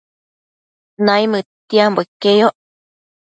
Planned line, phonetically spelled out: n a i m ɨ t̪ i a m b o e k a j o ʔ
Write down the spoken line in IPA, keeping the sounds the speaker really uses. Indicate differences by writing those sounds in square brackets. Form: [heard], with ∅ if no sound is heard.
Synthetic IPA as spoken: n a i m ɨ t̪ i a m b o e k [e] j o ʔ